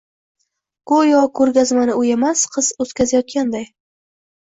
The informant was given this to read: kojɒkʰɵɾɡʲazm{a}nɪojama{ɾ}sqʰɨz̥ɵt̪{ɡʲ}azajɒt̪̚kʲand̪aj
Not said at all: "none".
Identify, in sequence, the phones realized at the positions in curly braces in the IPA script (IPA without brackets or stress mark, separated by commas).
a, none, kʲ